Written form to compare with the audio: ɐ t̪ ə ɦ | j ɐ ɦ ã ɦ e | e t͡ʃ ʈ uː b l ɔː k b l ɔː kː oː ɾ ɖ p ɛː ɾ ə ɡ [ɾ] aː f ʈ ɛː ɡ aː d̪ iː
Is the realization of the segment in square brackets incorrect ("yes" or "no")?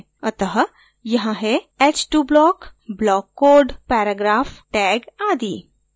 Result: no